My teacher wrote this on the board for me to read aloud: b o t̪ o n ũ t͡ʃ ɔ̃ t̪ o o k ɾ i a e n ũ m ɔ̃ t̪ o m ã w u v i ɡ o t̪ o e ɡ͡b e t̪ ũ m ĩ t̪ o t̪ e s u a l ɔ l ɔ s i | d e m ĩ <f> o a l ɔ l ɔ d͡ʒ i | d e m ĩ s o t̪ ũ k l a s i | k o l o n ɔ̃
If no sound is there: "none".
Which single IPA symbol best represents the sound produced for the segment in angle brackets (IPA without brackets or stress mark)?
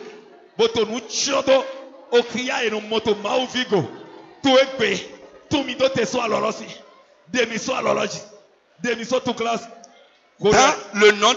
s